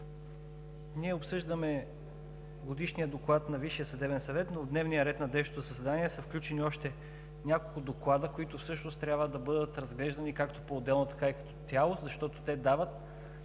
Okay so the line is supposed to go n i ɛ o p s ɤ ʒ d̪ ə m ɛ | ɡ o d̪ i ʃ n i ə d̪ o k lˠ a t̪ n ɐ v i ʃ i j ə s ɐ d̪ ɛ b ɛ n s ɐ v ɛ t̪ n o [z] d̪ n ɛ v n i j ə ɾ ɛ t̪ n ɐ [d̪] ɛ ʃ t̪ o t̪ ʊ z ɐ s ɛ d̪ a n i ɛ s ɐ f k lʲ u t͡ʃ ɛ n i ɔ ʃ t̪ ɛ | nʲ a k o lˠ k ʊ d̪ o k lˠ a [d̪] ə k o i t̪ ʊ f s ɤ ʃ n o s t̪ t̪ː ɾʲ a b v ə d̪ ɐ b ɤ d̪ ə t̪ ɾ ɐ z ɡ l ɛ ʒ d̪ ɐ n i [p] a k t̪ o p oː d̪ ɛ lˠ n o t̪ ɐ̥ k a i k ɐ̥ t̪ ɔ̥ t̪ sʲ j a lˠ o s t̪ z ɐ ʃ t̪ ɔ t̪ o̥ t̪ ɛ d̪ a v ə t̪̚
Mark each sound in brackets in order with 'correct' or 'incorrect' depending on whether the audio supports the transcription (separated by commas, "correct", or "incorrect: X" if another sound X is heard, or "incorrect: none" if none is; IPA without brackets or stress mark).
incorrect: v, correct, correct, incorrect: k